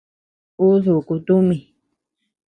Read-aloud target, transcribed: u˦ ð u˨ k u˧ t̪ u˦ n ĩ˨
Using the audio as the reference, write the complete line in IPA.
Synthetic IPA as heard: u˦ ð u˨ k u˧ t̪ u˦ m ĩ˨